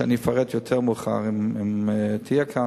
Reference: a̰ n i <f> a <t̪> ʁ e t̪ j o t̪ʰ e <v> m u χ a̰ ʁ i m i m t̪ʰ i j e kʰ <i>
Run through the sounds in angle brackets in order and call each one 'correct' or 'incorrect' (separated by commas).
correct, incorrect, incorrect, incorrect